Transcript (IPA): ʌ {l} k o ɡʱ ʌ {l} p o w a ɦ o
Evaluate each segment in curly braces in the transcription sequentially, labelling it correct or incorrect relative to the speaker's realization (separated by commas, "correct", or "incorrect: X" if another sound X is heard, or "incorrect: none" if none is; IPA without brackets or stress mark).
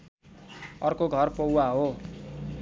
incorrect: r, incorrect: r